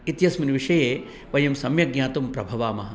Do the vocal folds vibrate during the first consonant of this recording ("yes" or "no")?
no